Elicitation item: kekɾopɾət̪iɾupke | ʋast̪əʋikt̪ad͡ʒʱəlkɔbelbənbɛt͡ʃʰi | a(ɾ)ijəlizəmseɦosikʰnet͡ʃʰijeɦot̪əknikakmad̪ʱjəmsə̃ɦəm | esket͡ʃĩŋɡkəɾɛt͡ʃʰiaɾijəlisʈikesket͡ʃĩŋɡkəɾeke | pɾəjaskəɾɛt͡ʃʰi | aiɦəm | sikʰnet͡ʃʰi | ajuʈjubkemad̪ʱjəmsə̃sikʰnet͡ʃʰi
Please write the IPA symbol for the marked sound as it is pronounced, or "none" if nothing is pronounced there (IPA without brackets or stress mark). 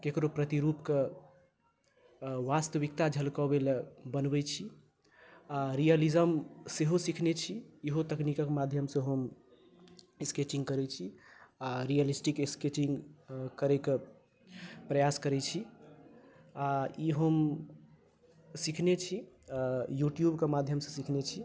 ɾ